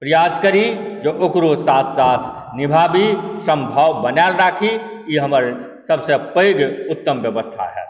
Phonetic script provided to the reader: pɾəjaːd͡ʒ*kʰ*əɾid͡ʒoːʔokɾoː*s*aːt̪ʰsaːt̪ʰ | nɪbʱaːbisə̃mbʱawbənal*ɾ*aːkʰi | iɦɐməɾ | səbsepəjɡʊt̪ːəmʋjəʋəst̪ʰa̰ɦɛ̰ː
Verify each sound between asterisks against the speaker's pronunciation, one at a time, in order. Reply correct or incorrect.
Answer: incorrect: k, correct, correct

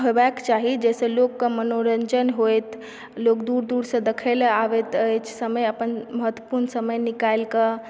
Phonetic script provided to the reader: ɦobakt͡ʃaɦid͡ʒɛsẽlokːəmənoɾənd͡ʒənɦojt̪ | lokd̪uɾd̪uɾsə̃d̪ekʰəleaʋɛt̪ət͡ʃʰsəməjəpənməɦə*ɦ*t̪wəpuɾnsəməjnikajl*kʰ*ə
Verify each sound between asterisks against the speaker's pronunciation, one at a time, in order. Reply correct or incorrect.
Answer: incorrect: none, incorrect: k

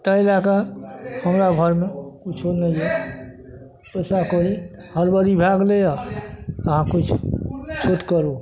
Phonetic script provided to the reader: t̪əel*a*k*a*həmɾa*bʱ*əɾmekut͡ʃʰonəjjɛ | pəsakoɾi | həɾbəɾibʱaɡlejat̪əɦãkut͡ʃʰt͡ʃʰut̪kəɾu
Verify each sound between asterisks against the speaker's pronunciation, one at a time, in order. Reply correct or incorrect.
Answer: correct, correct, incorrect: ɡʱ

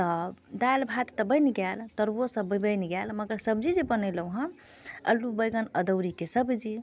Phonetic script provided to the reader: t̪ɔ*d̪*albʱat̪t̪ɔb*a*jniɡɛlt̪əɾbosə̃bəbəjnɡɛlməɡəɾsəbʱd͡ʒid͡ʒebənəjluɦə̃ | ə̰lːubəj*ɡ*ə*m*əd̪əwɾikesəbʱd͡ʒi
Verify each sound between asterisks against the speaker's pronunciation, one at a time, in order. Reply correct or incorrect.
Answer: correct, incorrect: ə, correct, incorrect: n

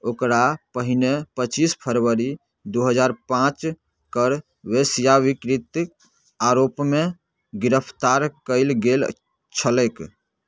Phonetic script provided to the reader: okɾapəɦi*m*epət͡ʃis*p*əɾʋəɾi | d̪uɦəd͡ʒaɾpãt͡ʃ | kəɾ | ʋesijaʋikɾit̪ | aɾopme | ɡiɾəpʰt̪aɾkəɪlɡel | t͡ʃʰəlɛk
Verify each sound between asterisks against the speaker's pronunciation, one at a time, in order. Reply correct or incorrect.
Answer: incorrect: n, incorrect: pʰ

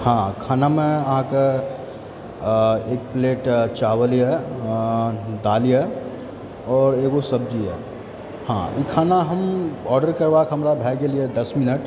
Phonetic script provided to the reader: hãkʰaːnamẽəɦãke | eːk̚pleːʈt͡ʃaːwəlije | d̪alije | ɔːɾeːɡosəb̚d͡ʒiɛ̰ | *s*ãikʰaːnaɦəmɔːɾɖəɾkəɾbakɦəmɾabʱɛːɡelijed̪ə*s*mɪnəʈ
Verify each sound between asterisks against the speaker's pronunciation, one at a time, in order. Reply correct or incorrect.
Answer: incorrect: h, correct

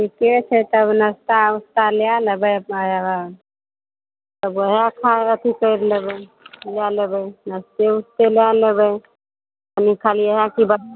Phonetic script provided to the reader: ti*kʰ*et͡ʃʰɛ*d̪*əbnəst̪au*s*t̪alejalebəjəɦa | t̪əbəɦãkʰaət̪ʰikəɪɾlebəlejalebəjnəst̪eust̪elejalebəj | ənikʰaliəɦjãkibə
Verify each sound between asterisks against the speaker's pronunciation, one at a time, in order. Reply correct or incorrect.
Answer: incorrect: k, incorrect: t̪, correct

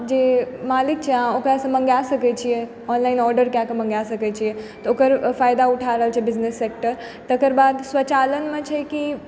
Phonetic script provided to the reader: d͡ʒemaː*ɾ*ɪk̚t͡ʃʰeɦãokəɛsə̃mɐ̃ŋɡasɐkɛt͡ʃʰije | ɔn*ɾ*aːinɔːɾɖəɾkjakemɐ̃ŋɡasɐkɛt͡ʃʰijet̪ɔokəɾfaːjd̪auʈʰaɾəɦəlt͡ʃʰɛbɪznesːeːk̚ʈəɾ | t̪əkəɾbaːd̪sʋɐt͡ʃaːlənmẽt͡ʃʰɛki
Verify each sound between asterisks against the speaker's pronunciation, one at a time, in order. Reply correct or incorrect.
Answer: incorrect: l, incorrect: l

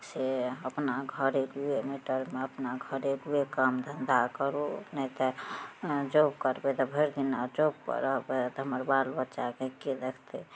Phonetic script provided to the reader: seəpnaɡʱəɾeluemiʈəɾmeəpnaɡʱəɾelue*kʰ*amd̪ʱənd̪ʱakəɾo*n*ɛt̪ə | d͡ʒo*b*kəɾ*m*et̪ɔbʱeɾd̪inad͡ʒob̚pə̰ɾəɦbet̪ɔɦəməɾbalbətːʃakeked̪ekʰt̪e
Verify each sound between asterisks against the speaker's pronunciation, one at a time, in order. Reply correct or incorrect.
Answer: incorrect: k, correct, correct, incorrect: b

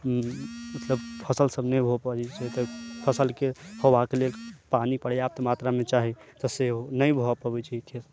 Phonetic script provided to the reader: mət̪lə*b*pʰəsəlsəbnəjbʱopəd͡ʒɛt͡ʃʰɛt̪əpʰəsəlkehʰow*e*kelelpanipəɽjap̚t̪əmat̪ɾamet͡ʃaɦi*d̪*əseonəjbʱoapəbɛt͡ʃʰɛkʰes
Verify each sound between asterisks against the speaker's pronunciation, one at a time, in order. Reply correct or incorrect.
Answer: correct, incorrect: a, incorrect: t̪

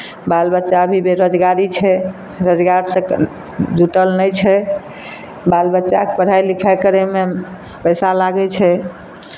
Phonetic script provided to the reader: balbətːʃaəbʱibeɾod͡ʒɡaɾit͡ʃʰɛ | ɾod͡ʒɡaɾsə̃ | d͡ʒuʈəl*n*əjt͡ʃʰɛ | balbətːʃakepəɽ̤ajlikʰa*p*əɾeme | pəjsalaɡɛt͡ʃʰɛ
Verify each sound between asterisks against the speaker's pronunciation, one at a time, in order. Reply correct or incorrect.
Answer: correct, incorrect: k

